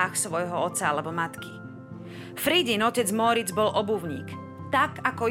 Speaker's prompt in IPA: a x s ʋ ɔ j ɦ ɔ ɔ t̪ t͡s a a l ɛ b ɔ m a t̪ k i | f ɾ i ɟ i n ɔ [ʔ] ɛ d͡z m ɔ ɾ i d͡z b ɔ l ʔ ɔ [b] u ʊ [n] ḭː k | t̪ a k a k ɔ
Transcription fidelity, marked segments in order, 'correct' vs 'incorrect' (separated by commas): incorrect, correct, incorrect